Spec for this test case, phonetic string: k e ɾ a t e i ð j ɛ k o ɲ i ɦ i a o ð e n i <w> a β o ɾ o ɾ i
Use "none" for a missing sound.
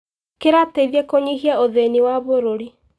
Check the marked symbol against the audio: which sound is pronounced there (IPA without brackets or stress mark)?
w